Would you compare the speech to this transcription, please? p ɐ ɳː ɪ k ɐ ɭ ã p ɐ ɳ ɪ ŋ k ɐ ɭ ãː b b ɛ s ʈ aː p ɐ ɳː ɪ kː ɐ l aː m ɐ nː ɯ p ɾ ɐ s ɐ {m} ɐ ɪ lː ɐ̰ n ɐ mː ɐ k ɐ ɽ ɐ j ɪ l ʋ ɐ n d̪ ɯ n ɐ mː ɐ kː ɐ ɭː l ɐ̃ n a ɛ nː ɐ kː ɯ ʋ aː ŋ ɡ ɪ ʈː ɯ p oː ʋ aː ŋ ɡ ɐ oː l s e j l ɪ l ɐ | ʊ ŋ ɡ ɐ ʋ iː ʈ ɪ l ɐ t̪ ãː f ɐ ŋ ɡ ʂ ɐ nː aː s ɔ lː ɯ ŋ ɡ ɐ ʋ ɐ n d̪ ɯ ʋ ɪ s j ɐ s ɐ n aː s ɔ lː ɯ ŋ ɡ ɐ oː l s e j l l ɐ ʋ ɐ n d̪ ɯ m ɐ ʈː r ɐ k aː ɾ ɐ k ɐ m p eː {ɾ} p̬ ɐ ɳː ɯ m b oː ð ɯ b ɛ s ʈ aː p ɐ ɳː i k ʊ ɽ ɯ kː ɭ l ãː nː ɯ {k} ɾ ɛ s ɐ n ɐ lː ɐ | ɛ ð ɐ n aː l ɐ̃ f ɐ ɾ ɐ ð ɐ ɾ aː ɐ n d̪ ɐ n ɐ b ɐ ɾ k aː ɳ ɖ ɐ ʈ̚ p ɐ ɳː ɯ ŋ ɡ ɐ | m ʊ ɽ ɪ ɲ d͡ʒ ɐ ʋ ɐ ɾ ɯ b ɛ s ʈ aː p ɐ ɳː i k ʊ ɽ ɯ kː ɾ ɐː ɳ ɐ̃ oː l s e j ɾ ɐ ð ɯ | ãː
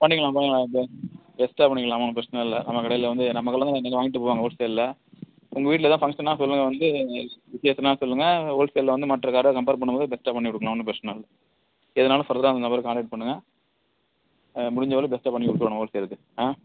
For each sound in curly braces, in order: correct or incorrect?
incorrect: n, correct, incorrect: p

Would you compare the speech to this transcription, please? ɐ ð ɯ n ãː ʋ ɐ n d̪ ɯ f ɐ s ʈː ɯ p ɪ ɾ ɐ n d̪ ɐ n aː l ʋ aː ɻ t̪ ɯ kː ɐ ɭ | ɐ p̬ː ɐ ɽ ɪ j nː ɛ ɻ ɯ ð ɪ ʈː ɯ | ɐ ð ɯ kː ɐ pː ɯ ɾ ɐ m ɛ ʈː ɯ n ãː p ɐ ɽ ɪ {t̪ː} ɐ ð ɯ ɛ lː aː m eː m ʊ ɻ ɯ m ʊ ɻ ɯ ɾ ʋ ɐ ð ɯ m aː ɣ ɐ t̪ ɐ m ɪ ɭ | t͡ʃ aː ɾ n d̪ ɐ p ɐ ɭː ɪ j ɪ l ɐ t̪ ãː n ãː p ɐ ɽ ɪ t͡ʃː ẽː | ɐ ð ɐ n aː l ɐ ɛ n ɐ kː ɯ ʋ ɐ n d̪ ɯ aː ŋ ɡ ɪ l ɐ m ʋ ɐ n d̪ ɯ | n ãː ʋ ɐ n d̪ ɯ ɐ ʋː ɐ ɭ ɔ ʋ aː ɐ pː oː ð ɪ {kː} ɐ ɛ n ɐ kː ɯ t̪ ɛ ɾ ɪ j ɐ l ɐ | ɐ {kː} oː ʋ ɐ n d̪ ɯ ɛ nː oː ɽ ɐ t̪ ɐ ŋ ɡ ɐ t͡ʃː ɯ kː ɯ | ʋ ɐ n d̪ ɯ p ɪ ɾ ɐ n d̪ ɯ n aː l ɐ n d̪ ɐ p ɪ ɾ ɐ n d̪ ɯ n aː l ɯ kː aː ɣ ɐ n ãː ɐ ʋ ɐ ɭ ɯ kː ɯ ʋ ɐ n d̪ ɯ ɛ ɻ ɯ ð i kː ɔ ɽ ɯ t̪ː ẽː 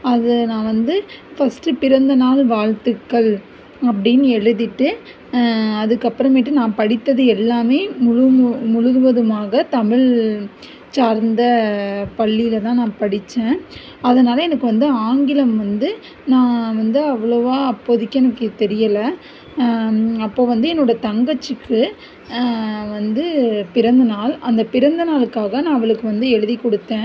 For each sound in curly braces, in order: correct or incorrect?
correct, correct, incorrect: pː

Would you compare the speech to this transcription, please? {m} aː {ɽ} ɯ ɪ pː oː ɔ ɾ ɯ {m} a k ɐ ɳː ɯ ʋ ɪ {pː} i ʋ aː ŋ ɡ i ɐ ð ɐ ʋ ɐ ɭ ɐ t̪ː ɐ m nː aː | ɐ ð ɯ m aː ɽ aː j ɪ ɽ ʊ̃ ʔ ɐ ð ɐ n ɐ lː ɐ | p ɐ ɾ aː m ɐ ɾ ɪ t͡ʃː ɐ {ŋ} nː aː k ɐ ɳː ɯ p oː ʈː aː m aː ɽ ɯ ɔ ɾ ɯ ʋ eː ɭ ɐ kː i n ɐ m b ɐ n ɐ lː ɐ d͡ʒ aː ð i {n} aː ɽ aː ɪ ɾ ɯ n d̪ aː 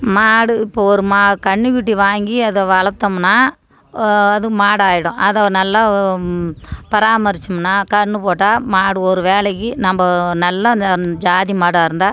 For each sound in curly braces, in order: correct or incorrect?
correct, correct, correct, incorrect: ʈː, incorrect: m, incorrect: m

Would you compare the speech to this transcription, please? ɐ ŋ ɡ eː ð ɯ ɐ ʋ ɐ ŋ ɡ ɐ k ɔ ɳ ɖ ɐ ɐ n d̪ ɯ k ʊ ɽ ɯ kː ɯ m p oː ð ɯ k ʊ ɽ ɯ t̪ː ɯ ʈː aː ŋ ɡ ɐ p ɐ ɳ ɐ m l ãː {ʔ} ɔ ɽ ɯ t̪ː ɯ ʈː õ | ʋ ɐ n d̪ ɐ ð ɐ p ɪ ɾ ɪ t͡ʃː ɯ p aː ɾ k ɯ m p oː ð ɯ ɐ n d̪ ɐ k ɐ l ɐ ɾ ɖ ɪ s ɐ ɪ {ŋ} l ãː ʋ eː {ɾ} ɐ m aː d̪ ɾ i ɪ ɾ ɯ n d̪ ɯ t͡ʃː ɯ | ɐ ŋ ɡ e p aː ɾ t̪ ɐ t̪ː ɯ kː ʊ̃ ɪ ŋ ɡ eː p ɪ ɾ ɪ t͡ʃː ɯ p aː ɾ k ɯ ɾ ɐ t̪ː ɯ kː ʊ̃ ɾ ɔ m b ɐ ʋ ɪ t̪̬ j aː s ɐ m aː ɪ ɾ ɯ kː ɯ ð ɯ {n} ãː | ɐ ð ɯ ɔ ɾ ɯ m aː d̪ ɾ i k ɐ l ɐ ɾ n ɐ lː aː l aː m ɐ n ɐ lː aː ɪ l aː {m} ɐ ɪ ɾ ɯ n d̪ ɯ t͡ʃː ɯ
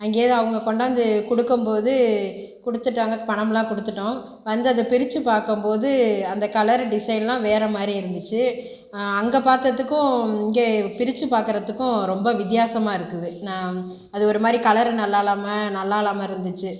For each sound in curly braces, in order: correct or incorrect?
incorrect: k, incorrect: n, correct, correct, correct

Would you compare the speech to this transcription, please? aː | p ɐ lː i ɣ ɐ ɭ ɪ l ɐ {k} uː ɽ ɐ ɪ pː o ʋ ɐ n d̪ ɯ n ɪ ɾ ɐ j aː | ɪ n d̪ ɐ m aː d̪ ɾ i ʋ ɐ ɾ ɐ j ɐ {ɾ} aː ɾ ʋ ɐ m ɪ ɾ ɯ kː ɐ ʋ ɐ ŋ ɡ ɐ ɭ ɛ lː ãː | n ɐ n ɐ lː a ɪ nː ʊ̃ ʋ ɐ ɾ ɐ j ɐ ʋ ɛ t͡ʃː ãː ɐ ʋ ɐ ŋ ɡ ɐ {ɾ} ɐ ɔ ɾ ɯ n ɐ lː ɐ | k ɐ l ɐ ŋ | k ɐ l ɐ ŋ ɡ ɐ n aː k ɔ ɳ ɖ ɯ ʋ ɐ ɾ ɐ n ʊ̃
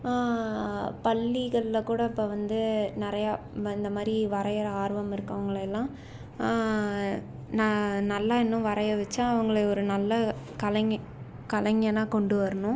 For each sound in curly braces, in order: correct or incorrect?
correct, correct, incorrect: ɭ

